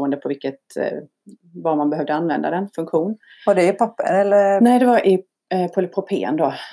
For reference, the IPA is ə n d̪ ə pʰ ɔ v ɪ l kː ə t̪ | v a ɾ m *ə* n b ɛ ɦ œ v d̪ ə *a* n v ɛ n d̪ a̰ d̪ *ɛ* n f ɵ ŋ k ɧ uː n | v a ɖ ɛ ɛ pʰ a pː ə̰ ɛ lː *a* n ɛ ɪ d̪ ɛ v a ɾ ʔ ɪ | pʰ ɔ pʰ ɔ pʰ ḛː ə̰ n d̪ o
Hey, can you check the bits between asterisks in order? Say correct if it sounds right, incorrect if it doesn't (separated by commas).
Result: incorrect, correct, correct, incorrect